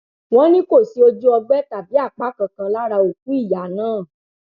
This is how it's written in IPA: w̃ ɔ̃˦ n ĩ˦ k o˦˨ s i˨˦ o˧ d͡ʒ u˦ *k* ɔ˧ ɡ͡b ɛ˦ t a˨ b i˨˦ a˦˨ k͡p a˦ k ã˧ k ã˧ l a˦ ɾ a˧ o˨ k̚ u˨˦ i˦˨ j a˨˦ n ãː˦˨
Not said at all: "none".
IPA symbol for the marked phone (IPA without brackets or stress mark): none